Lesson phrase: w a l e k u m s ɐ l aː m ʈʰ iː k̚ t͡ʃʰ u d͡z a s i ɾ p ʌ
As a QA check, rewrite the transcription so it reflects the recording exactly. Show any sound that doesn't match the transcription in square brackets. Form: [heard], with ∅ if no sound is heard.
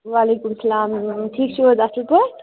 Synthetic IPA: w a l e k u m s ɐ l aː m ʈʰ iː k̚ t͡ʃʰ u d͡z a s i [l] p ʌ